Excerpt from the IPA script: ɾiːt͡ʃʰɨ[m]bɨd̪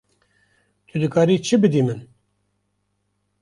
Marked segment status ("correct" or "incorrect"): incorrect